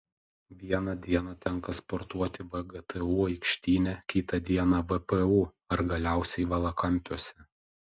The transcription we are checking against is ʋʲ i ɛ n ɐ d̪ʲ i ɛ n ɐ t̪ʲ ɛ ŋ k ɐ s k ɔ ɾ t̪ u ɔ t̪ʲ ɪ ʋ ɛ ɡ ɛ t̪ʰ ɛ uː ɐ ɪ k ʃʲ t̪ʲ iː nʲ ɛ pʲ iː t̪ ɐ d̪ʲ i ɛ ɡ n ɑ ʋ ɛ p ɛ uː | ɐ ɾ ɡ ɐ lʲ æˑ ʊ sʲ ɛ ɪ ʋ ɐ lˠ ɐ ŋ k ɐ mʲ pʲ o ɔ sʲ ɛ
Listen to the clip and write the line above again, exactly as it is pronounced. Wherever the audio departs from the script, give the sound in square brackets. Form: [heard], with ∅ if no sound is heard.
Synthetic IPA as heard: ʋʲ i ɛ n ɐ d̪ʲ i ɛ n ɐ t̪ʲ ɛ ŋ k ɐ s [p] ɔ ɾ t̪ u ɔ t̪ʲ ɪ ʋ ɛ ɡ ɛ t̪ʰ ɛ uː ɐ ɪ k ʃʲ t̪ʲ iː nʲ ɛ [kʲ] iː t̪ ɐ d̪ʲ i ɛ [∅] n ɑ ʋ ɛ p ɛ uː | ɐ ɾ ɡ ɐ lʲ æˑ ʊ sʲ ɛ ɪ ʋ ɐ lˠ ɐ [∅] k ɐ mʲ pʲ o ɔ sʲ ɛ